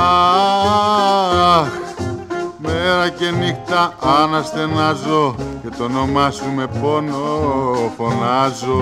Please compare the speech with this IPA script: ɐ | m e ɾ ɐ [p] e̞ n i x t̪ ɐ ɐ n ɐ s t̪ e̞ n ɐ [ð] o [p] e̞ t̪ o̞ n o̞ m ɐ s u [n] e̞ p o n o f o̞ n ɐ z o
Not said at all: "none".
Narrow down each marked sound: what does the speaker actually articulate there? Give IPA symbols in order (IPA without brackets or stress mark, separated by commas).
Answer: c, z, c, m